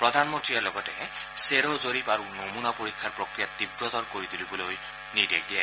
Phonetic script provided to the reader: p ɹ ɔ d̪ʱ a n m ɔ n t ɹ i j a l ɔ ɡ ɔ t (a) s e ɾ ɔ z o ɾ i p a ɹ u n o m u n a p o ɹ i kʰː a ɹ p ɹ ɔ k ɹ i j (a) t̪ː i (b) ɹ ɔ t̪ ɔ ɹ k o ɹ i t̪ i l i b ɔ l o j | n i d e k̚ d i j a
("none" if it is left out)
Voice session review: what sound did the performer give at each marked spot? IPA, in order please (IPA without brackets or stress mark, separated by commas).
ɛ, a, b